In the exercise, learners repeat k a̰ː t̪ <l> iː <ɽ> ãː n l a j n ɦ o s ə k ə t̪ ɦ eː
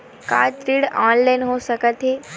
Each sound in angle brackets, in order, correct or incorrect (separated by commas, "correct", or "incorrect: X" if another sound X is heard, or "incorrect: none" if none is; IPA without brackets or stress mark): incorrect: ɾ, correct